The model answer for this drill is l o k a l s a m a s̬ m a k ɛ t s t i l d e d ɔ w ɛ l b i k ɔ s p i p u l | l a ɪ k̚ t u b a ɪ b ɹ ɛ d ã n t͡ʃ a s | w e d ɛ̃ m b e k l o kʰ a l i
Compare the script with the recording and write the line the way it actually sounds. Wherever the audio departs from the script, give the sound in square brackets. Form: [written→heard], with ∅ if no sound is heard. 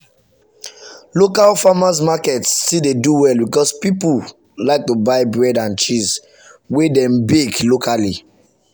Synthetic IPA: l o k a l [s→f] a m a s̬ m a k ɛ t s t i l d e d [ɔ→u] w ɛ l b i k ɔ s p i p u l | l a ɪ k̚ t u b a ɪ b ɹ ɛ d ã n t͡ʃ [a→i] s | w e d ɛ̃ m b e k l o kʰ a l i